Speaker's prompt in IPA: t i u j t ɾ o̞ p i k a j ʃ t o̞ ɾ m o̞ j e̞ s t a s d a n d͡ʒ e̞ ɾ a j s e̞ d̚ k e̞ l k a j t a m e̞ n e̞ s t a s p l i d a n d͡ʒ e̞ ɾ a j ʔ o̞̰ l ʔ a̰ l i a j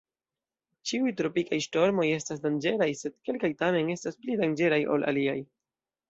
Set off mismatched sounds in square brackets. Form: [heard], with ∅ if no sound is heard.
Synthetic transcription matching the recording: [t͡ʃ] i u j t ɾ o̞ p i k a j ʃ t o̞ ɾ m o̞ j e̞ s t a s d a n d͡ʒ e̞ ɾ a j s e̞ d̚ k e̞ l k a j t a m e̞ n e̞ s t a s p l i d a n d͡ʒ e̞ ɾ a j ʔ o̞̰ l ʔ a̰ l i a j